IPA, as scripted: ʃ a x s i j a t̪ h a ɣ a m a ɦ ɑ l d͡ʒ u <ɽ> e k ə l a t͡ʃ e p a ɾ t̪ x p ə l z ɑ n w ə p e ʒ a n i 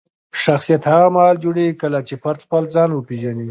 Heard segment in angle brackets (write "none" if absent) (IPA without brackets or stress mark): ɽ